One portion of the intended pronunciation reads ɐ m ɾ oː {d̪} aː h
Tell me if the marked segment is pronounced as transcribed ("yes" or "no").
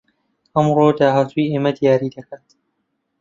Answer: yes